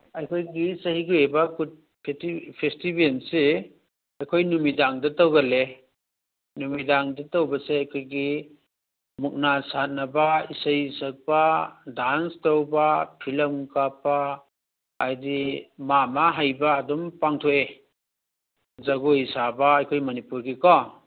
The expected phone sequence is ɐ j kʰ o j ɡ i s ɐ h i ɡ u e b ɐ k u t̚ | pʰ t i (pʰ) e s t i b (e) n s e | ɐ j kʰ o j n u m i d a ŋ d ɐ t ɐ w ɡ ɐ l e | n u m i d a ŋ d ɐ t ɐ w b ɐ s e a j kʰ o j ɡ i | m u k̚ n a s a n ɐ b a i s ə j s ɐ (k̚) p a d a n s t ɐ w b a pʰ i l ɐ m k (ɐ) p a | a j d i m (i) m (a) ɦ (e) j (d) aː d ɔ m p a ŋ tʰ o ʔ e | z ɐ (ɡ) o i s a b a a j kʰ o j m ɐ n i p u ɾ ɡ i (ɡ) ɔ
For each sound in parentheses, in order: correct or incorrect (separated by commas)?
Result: correct, correct, correct, incorrect, incorrect, correct, incorrect, incorrect, correct, incorrect